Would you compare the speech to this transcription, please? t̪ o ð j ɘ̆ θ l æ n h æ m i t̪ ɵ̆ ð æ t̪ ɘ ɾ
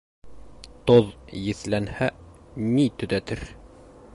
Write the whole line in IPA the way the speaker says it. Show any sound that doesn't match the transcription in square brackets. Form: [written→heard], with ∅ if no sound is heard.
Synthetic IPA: t̪ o ð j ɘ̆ θ l æ n h æ [m→n] i t̪ ɵ̆ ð æ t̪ ɘ ɾ